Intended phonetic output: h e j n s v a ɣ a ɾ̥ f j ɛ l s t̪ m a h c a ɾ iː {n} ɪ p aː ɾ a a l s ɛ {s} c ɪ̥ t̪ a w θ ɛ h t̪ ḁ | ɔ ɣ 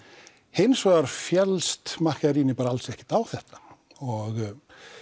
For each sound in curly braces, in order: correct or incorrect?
correct, incorrect: h

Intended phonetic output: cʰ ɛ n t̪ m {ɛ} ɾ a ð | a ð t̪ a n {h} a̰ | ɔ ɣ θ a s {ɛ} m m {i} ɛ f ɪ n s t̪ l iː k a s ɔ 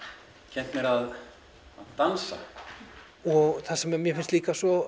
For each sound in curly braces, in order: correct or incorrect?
correct, incorrect: s, correct, incorrect: j

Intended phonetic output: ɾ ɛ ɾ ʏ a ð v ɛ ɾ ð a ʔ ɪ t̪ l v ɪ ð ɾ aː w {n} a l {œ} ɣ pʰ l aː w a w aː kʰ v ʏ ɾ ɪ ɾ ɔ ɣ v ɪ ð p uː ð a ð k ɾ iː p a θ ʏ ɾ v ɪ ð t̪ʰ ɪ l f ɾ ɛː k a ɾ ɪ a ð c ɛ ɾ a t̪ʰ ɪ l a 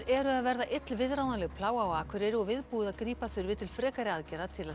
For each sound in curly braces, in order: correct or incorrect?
correct, incorrect: ɛ

